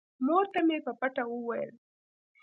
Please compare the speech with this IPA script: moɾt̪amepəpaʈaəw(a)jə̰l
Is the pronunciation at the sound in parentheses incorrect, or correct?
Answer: correct